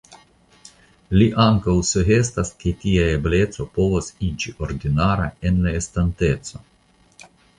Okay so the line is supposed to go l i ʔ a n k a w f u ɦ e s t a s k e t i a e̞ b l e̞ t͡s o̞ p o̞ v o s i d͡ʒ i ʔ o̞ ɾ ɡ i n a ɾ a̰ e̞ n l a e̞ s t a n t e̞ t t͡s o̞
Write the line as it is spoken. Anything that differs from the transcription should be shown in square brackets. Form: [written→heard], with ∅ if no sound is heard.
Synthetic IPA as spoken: l i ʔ a [n→ŋ] k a w [f→s] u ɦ e s t a s k e t i a e̞ b l e̞ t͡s o̞ p o̞ v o s i d͡ʒ i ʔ o̞ ɾ [ɡ→d] i n a ɾ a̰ e̞ n l a e̞ s t a n t e̞ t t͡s o̞